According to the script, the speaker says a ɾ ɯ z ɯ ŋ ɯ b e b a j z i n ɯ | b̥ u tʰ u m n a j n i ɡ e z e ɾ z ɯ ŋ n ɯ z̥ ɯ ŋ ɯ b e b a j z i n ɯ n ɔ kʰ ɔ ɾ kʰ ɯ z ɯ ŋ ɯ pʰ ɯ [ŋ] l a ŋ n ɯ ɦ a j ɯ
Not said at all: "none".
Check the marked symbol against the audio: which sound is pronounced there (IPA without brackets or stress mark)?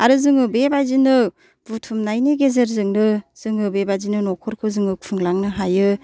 ŋ